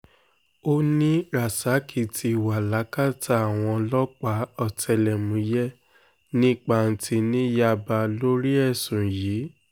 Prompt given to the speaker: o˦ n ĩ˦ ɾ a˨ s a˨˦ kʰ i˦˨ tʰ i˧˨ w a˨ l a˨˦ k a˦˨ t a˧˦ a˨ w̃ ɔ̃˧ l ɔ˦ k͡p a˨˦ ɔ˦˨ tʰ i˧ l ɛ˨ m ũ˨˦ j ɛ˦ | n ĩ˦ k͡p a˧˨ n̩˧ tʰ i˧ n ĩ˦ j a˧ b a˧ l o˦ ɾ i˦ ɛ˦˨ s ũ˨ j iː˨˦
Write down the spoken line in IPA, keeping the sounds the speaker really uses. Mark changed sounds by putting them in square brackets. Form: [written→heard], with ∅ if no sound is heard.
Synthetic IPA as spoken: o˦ n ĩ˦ ɾ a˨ s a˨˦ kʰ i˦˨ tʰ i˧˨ w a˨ l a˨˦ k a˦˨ t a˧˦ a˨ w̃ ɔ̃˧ l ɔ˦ k͡p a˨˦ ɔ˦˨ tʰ [i˧→ɛ˧] l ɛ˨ m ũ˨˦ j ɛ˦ | n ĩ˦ k͡p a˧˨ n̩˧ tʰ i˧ n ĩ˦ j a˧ b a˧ l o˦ ɾ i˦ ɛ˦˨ s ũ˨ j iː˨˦

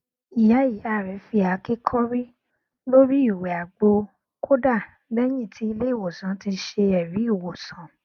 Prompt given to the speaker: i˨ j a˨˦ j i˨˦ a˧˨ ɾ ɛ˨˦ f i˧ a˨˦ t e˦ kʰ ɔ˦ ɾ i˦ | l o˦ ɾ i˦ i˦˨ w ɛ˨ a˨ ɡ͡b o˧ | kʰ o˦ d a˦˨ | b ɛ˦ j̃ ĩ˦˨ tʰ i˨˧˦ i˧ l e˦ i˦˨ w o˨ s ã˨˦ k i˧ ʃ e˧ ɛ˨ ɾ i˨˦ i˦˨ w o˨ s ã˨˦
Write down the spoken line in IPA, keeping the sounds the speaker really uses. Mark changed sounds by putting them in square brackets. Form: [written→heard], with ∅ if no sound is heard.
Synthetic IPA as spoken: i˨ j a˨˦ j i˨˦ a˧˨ ɾ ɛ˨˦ f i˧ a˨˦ [t→k] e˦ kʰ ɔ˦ ɾ i˦ | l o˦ ɾ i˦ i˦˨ w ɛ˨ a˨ ɡ͡b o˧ | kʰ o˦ d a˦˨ | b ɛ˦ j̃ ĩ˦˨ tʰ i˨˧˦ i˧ l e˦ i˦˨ w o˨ s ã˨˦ [k→t] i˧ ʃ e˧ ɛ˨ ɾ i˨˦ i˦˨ w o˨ s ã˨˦

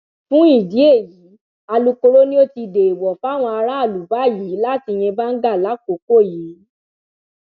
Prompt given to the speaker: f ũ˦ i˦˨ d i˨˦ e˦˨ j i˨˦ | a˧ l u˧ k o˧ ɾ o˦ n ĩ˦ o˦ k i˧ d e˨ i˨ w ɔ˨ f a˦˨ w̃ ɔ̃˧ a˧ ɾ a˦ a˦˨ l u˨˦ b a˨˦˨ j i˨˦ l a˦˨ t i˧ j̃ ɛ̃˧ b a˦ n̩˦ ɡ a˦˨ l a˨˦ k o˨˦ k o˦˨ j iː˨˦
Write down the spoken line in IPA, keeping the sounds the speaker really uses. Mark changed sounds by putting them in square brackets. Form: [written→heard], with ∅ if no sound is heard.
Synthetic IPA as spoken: f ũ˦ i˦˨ d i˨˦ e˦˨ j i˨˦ | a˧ l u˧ k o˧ ɾ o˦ n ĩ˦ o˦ [k→t] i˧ d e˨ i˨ w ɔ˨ f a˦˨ w̃ ɔ̃˧ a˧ ɾ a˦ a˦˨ l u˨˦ b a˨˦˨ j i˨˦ l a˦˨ t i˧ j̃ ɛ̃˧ b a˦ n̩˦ ɡ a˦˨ l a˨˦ k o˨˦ k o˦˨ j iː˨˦

